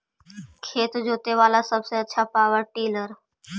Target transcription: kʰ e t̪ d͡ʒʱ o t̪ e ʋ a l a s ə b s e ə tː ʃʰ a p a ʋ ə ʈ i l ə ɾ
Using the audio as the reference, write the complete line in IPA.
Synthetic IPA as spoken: kʰ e t̪ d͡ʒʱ o t̪ e ʋ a l a s ə b s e ə tː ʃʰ a p a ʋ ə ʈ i l ə ɾ